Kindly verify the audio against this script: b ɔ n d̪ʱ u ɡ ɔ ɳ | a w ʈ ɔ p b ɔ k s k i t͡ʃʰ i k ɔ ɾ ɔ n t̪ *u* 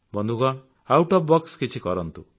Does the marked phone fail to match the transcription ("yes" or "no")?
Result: no